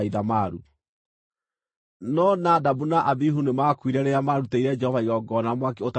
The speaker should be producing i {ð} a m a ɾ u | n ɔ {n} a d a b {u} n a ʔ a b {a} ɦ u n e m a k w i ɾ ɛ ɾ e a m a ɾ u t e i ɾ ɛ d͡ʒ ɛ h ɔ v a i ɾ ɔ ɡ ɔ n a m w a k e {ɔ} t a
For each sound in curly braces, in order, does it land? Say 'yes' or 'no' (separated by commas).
yes, yes, yes, no, no